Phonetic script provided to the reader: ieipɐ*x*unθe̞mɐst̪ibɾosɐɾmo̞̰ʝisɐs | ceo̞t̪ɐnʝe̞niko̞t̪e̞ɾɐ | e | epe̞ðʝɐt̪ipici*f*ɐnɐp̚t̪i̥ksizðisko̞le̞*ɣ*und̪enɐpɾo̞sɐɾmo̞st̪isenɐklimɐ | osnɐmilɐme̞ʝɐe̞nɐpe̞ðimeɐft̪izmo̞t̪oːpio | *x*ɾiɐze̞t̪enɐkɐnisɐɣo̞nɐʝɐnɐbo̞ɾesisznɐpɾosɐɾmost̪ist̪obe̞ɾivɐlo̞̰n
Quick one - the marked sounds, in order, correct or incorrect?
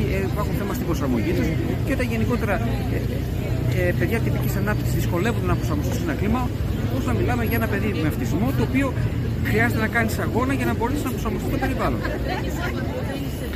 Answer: correct, incorrect: s, incorrect: v, correct

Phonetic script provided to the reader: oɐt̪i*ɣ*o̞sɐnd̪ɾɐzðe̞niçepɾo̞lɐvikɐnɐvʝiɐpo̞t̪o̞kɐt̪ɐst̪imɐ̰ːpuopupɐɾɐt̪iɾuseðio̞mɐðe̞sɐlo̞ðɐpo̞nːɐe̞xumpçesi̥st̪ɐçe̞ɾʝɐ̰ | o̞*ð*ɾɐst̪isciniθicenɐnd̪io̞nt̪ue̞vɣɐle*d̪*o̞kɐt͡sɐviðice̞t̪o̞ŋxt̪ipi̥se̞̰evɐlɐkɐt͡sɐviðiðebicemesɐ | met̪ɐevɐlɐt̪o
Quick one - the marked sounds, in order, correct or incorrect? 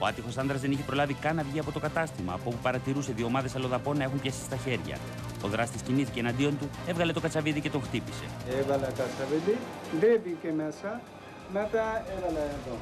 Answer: incorrect: x, correct, incorrect: t̪

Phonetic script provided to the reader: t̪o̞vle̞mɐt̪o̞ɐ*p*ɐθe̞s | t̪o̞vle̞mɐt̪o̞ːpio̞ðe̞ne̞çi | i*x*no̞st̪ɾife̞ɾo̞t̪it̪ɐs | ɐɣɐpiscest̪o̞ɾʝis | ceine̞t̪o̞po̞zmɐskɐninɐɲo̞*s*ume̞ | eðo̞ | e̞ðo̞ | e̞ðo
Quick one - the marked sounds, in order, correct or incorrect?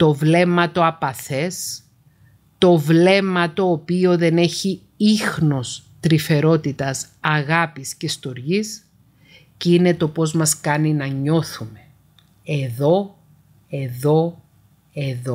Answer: correct, correct, incorrect: θ

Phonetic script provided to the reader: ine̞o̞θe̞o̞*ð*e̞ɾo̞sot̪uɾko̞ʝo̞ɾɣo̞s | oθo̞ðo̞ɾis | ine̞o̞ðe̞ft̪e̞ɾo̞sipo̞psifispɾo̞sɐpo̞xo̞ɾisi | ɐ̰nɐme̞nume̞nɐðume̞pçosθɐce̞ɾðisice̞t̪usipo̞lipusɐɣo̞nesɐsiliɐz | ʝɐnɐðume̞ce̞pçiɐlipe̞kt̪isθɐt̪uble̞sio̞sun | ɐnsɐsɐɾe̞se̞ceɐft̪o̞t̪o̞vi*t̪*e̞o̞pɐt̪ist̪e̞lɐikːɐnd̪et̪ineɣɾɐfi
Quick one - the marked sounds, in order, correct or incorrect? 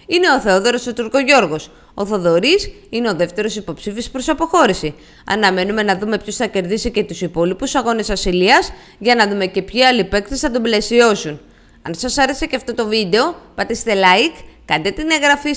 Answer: correct, incorrect: d̪

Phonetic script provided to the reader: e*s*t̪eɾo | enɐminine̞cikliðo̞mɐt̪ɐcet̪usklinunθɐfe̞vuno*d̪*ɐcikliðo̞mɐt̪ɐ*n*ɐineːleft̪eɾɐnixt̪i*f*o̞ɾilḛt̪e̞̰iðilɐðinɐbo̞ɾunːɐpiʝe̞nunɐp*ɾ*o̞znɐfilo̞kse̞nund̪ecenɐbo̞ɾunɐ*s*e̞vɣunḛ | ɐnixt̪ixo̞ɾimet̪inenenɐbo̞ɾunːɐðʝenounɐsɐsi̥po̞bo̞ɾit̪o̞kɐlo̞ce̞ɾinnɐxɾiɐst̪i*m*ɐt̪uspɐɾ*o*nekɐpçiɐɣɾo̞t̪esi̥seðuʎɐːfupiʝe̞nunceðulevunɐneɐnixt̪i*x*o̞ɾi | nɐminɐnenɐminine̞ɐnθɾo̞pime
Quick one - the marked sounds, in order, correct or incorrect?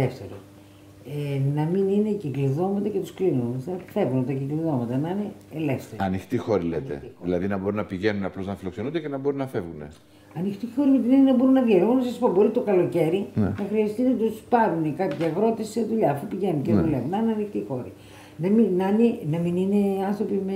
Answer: incorrect: f, incorrect: t̪, correct, incorrect: x, incorrect: l, incorrect: f, incorrect: n, incorrect: u, correct

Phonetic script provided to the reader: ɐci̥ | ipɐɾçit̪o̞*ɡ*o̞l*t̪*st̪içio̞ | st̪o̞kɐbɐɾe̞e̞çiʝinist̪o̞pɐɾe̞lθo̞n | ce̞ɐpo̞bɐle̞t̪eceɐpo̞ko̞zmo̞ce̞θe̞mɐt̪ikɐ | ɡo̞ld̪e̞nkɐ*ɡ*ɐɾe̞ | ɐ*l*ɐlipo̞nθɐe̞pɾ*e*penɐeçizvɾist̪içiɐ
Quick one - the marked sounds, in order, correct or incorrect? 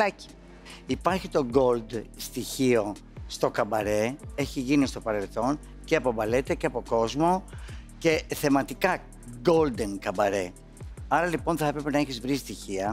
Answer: correct, incorrect: d̪, incorrect: b, incorrect: ɾ, correct

